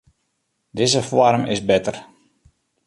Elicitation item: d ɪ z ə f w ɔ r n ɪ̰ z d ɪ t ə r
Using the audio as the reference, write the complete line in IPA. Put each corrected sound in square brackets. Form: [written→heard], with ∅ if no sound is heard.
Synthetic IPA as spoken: d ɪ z ə f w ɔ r [n→m] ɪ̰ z [d→b] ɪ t ə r

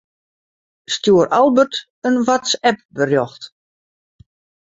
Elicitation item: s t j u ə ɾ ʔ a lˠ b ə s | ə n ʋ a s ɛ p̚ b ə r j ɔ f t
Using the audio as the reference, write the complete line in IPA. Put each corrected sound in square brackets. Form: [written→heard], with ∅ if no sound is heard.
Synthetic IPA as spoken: s t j u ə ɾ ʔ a lˠ b ə [s→t] | ə n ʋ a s ɛ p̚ b ə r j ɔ [f→x] t

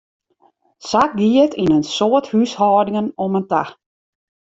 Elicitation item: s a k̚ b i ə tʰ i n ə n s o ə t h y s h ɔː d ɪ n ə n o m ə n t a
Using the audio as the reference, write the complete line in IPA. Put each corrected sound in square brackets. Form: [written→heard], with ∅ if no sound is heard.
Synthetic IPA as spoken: s a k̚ [b→ɡ] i ə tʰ i n ə n s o ə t h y s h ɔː d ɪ [n→ŋ] ə n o m ə n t a

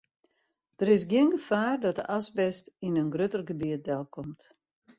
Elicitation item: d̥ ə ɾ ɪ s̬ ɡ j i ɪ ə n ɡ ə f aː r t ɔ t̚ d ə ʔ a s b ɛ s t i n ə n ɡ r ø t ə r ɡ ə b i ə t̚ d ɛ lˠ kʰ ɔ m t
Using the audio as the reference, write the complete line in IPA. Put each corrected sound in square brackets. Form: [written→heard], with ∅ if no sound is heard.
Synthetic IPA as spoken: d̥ ə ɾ ɪ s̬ ɡ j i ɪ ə n ɡ ə f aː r [t→d] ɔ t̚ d ə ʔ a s b ɛ s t i n ə n ɡ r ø t ə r ɡ ə b i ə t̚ d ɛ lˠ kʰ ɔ m t

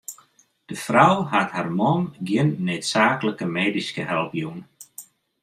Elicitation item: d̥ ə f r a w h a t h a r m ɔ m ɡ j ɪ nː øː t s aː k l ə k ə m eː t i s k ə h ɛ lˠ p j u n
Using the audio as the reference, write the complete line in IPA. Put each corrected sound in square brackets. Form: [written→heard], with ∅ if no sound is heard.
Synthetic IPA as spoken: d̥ ə f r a w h a t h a r m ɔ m ɡ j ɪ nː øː t s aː k l ə k ə m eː [t→d] i s k ə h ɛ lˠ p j u n

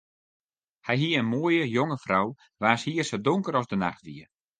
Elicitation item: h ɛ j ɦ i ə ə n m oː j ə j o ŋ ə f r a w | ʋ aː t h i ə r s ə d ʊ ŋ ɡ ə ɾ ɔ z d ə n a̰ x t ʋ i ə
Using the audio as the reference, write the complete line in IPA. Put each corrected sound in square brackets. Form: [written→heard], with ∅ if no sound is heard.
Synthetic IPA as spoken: h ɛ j ɦ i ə ə n m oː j ə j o ŋ ə f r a w | ʋ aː [t→s] h i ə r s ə d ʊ ŋ [ɡ→k] ə ɾ ɔ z d ə n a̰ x t ʋ i ə

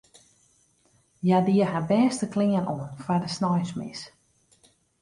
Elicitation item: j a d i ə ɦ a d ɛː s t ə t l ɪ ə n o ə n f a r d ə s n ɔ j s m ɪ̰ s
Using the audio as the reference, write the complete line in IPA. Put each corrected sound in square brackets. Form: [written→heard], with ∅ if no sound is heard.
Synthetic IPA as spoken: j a d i ə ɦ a [d→b] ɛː s t ə [t→k] l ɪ ə n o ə n f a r d ə s n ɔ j s m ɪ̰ s

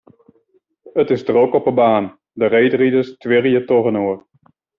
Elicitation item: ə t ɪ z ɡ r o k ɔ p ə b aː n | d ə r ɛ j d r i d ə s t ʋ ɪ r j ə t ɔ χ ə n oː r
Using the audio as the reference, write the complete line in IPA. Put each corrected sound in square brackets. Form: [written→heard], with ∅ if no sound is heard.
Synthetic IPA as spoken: ə t ɪ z [ɡ→d] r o k ɔ p ə b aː n | d ə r [ɛ→e] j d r i d ə s t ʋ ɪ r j ə t ɔ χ ə n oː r

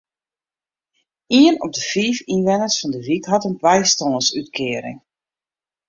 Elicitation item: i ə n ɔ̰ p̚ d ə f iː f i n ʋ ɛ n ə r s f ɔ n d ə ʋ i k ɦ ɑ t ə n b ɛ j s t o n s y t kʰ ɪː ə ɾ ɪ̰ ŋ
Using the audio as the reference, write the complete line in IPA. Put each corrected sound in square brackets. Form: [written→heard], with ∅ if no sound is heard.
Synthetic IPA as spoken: i ə n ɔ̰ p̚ d ə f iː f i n ʋ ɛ n ə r s f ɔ n d ə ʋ i k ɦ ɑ t ə n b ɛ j s t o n s y t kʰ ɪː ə ɾ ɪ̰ ŋ

